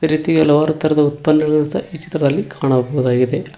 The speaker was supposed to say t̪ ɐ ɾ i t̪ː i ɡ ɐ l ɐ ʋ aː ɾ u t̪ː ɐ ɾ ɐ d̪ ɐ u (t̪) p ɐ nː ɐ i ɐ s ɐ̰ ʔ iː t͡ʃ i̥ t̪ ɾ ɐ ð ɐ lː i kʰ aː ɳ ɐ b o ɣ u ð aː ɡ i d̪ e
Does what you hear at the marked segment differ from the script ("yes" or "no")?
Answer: no